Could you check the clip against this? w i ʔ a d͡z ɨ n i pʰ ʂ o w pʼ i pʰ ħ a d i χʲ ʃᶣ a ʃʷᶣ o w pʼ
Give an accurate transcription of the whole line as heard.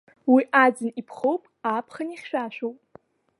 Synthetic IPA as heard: w i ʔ a d͡z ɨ n i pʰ χ o w pʼ a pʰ χ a n i χʲ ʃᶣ a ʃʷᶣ o w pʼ